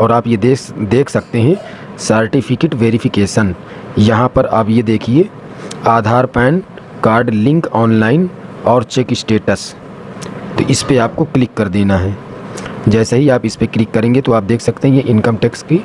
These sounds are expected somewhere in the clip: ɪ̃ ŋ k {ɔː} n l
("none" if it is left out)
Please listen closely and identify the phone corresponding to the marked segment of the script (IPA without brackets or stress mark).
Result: ɔː